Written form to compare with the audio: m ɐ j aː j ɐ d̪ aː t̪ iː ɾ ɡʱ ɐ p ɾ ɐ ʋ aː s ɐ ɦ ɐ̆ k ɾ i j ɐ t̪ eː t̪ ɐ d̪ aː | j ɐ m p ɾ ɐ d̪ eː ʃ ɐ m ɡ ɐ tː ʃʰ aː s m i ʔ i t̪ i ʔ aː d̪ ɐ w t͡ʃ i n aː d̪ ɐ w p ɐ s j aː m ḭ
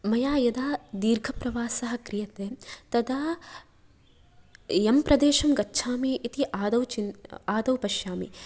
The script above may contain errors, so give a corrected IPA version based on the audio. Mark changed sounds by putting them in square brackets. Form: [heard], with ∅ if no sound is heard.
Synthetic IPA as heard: m ɐ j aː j ɐ d̪ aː [d̪] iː ɾ ɡʱ ɐ p ɾ ɐ ʋ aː s ɐ ɦ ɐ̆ k ɾ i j ɐ t̪ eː t̪ ɐ d̪ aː | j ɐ m p ɾ ɐ d̪ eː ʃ ɐ m ɡ ɐ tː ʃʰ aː [∅] m i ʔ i t̪ i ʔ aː d̪ ɐ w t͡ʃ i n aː d̪ ɐ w p ɐ [ʃ] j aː m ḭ